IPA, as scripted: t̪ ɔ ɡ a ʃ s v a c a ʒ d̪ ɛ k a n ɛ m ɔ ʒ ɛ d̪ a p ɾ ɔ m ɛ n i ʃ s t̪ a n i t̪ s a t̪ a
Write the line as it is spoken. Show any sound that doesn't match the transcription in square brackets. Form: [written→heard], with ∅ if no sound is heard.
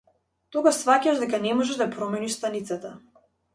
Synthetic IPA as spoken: t̪ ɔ ɡ a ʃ s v a c a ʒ d̪ ɛ k a n ɛ m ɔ ʒ ɛ d̪ a p ɾ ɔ m ɛ n i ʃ s t̪ a n i t̪ s a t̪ a

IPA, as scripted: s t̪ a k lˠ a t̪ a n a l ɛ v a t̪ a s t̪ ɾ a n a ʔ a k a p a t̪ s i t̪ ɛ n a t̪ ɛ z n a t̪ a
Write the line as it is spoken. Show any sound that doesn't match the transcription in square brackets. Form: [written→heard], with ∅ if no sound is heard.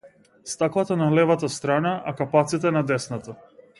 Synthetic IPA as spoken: s t̪ a k lˠ a t̪ a n a l ɛ v a t̪ a s t̪ ɾ a n a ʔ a k a p a t̪ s i t̪ ɛ n a [t̪→d̪] ɛ [z→s] n a t̪ a

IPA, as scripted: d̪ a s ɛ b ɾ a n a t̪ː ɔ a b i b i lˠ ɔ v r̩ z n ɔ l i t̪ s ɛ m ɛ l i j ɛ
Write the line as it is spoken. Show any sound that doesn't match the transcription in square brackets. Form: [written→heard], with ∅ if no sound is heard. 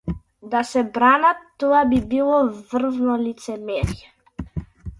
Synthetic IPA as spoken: d̪ a s ɛ b ɾ a n a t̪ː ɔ a b i b i lˠ ɔ v r̩ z n ɔ l i t̪ s ɛ m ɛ [l→ɾ] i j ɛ

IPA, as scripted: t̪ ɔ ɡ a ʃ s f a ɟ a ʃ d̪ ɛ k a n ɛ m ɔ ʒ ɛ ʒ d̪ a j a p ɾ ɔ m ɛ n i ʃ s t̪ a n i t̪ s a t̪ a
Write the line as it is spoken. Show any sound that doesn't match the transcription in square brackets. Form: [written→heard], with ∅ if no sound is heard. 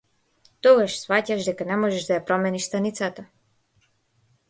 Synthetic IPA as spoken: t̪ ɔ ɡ a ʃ s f a [ɟ→c] a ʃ d̪ ɛ k a n ɛ m ɔ ʒ ɛ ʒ d̪ a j a p ɾ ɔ m ɛ n i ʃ s t̪ a n i t̪ s a t̪ a

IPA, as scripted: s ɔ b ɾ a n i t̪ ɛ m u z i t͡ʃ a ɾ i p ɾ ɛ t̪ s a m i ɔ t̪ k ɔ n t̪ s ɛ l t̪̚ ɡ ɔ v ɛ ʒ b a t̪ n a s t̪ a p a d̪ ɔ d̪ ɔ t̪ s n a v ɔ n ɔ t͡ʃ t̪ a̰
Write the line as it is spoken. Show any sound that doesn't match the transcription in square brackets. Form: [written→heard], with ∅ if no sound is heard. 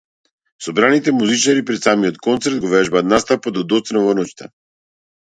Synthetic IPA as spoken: s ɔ b ɾ a n i t̪ ɛ m u z i t͡ʃ a ɾ i p ɾ ɛ t̪ s a m i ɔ t̪ k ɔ n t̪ s ɛ [l→ɾ] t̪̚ ɡ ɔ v ɛ ʒ b a t̪ n a s t̪ a p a d̪ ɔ d̪ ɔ t̪ s n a v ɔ n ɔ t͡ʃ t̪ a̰

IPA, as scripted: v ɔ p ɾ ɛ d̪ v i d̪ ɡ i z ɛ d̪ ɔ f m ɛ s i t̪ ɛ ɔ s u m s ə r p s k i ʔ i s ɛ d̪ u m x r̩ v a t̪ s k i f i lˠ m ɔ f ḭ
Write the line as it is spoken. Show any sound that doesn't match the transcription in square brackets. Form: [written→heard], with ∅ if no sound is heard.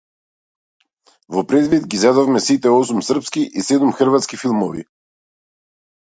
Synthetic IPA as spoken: v ɔ p ɾ ɛ d̪ v i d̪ ɡ i z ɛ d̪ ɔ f m ɛ s i t̪ ɛ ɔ s u m s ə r p s k i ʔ i s ɛ d̪ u m x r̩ v a t̪ s k i f i lˠ m ɔ [f→v] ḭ

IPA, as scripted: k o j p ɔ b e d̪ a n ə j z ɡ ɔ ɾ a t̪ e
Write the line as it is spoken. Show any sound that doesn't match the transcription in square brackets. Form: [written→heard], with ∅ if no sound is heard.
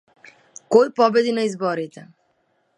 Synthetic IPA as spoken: k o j p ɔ b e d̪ [a→i] n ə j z [ɡ→b] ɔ ɾ [a→i] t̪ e

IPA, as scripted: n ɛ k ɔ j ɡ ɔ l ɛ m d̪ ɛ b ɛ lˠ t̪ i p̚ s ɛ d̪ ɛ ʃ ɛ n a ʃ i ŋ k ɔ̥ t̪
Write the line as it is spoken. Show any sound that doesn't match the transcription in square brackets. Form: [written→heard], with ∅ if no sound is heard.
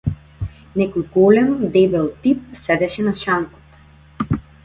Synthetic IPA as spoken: n ɛ k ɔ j ɡ ɔ l ɛ m d̪ ɛ b ɛ lˠ t̪ i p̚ s ɛ d̪ ɛ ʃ ɛ n a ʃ [i→a] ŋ k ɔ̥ t̪

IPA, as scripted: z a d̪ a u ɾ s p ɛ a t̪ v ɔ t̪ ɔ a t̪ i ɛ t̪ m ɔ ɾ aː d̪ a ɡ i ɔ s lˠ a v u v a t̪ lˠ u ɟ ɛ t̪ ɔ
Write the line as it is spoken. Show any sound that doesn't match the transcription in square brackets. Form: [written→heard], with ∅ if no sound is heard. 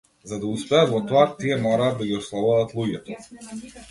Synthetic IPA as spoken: z a d̪ a u [ɾ→∅] s p ɛ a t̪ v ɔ t̪ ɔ a t̪ i ɛ [t̪→∅] m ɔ ɾ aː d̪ a ɡ i ɔ s lˠ a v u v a t̪ lˠ u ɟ ɛ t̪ ɔ

